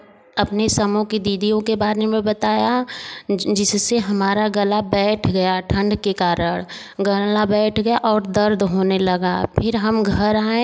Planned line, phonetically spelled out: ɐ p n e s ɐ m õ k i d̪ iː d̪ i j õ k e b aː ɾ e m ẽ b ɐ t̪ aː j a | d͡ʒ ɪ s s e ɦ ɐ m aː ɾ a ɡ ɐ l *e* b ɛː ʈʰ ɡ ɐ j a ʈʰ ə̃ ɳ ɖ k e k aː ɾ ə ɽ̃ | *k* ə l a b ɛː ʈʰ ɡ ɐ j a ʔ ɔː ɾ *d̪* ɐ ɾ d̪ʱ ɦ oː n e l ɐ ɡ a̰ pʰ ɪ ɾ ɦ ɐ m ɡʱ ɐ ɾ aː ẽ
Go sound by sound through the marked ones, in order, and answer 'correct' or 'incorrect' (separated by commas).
incorrect, incorrect, correct